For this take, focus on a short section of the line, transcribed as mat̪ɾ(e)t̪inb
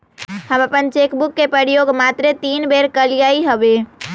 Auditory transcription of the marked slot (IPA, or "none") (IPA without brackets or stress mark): e